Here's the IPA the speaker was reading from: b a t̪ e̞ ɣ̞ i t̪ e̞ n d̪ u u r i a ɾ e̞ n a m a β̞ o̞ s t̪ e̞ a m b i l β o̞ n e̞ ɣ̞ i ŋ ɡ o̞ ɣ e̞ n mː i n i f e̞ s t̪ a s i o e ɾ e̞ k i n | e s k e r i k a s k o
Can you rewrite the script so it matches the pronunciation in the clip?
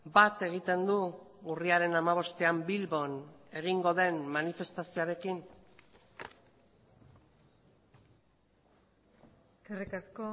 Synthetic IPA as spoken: b a t̪ e̞ ɣ̞ i t̪ e̞ n d̪ u u r i a ɾ e̞ n a m a β̞ o̞ s t̪ e̞ a m b i l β o̞ n e̞ ɣ̞ i ŋ ɡ o̞ ð e̞ n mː a n i f e̞ s t̪ a s i o a ɾ e̞ k i n | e s k e r i k a s k o